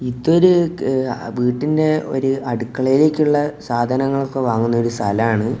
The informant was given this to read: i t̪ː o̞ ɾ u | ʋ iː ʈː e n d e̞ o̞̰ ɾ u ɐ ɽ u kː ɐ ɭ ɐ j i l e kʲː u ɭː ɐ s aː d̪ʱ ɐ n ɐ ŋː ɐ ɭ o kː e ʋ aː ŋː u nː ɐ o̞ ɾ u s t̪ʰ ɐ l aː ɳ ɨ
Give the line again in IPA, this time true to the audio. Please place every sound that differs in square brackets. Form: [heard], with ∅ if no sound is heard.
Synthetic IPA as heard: i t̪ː o̞ ɾ u | ʋ iː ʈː [i] n d e̞ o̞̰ ɾ u ɐ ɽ u kː ɐ ɭ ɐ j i l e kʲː u ɭː ɐ s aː d̪ʱ ɐ n ɐ ŋː ɐ ɭ o kː e ʋ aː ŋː u nː ɐ o̞ ɾ u s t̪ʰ ɐ l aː ɳ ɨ